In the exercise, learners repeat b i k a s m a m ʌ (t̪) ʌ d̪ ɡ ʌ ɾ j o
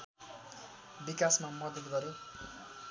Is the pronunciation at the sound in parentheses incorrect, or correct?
incorrect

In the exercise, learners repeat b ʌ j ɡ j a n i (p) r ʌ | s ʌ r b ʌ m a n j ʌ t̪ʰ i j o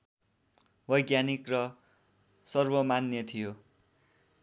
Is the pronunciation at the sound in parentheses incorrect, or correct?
incorrect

